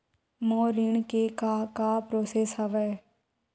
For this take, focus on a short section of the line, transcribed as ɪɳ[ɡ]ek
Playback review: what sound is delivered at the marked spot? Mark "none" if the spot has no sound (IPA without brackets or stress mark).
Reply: k